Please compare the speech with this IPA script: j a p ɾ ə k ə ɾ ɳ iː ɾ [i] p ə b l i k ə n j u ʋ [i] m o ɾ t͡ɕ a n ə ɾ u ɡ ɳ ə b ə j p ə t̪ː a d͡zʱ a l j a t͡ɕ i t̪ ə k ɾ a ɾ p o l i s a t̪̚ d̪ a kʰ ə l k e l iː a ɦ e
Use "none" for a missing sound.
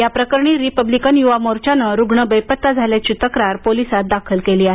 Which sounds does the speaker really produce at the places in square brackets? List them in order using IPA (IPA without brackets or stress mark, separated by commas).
i, a